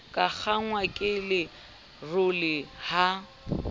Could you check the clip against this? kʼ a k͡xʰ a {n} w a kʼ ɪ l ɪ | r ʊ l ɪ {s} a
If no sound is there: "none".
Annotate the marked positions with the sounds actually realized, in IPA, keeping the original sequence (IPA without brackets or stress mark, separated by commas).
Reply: ŋ, h